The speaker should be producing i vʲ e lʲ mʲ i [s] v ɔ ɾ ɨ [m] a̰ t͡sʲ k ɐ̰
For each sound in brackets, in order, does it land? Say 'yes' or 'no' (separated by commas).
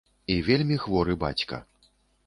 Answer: no, no